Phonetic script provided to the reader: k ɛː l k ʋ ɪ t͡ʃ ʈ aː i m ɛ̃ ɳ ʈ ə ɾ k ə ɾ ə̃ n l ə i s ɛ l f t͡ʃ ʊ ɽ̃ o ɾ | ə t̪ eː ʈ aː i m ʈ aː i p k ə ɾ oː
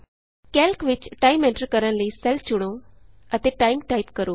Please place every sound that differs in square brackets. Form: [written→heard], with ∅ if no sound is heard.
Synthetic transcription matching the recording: k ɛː l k ʋ ɪ t͡ʃ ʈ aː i m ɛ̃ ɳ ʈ ə ɾ k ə ɾ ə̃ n l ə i s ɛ l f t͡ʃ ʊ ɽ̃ o [ɾ→∅] | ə t̪ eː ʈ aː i m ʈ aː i p k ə ɾ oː